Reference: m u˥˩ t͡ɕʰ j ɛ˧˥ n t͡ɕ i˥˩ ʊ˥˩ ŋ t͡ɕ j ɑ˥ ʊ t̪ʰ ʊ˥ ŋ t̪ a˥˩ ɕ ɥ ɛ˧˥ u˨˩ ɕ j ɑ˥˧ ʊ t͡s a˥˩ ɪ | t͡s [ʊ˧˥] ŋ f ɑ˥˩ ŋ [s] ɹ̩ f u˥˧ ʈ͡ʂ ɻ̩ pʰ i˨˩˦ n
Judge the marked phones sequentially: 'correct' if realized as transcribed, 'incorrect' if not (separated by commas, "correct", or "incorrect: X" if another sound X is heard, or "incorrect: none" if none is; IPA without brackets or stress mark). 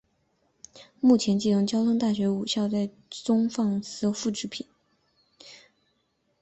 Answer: incorrect: ʊ˥, correct